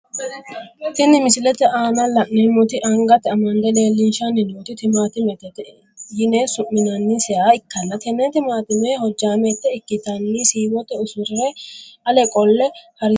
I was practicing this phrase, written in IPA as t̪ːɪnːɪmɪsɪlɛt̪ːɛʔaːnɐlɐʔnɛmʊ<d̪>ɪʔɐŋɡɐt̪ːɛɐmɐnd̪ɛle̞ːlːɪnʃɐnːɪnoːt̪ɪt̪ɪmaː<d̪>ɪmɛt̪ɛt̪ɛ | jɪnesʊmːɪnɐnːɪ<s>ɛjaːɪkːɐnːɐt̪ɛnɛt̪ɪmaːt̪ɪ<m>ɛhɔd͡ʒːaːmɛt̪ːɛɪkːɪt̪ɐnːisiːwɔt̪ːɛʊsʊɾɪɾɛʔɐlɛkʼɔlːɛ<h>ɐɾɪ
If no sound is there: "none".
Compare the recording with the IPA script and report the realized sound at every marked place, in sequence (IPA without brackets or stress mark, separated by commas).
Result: t̪, t̪, s, m, h